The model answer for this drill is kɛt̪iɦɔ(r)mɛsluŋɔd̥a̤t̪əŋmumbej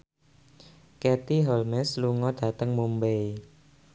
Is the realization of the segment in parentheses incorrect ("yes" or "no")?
yes